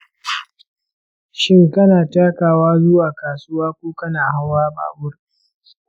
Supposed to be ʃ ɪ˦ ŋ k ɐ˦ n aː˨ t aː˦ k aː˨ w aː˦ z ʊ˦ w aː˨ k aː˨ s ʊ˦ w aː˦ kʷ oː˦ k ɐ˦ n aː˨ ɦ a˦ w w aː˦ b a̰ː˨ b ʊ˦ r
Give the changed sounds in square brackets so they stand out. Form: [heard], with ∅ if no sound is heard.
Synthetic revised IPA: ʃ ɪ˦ ŋ k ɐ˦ n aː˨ t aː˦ k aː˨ w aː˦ z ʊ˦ w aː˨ k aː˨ s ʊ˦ w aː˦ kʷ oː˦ k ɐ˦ n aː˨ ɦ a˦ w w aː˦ b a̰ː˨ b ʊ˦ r